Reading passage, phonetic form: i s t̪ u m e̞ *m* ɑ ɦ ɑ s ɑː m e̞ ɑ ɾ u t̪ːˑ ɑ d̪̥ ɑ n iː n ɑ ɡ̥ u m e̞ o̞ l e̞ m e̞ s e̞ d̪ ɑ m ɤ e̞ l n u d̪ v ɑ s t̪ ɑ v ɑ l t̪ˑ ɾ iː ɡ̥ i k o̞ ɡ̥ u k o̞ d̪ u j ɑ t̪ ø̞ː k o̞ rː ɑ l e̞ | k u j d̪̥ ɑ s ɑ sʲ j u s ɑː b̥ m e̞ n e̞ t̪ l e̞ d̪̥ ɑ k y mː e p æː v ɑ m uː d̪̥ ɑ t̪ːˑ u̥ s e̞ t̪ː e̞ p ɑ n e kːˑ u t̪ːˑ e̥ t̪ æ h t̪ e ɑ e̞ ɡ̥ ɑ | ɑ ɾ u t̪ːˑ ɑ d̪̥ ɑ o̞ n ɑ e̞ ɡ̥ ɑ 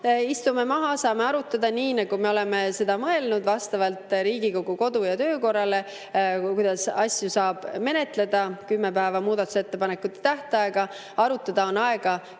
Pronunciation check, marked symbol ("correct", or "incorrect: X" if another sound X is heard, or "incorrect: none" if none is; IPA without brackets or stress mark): correct